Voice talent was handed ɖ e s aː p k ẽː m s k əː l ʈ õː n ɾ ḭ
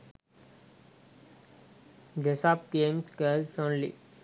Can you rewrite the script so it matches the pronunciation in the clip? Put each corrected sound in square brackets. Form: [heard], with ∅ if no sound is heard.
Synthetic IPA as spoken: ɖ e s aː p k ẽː m s k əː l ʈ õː n [l] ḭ